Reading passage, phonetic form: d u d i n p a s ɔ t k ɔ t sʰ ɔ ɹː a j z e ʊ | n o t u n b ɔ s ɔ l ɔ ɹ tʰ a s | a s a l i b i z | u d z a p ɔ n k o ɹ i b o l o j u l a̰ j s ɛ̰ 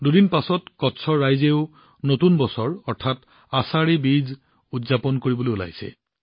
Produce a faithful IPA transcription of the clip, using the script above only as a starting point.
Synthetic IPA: d u d i n p a s ɔ t k ɔ t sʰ ɔ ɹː a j z e ʊ | n o t u n b ɔ s ɔ ɹ ɔ ɹ tʰ a t | a s a ɹ i b i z | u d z a p ɔ n k o ɹ i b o l o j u l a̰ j s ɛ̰